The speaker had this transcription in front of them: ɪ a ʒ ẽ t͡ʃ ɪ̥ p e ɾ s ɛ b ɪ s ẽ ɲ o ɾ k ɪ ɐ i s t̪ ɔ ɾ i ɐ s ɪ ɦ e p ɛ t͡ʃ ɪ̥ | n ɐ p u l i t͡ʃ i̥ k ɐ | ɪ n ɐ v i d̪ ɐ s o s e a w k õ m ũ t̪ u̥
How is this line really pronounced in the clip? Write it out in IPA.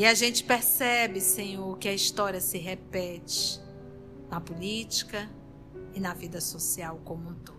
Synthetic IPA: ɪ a ʒ ẽ t͡ʃ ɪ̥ p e ɾ s ɛ b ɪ s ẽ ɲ o ɾ k ɪ ɐ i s t̪ ɔ ɾ i ɐ s ɪ ɦ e p ɛ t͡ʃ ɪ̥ | n ɐ p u l i t͡ʃ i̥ k ɐ | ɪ n ɐ v i d̪ ɐ s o s i a w k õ m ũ t̪ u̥